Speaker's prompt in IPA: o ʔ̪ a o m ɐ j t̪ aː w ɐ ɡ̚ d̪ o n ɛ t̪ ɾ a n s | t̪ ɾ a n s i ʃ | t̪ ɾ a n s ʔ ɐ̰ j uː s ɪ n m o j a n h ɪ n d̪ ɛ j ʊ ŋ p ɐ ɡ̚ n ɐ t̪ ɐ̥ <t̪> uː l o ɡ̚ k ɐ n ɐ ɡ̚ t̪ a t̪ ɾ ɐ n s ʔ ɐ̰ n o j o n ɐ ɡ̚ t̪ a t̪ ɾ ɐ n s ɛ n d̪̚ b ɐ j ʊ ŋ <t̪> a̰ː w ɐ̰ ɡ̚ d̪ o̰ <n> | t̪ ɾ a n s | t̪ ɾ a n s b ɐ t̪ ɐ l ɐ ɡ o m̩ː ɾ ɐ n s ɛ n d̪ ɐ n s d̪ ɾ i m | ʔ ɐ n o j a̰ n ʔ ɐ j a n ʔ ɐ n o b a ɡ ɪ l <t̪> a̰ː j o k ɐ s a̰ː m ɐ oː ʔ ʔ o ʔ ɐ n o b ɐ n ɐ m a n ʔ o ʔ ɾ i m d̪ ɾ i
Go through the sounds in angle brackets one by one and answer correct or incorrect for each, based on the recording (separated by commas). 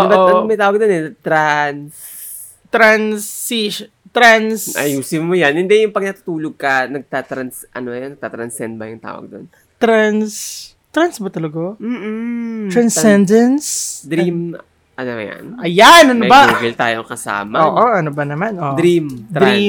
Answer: correct, correct, correct, correct